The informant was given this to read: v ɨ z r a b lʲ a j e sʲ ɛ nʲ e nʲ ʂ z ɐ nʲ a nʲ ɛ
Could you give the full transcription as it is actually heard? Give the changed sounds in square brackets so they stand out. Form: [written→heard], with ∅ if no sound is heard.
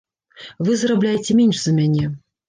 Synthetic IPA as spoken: v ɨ z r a b lʲ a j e [sʲ→t͡sʲ] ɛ [nʲ→mʲ] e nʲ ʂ z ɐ [nʲ→mʲ] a nʲ ɛ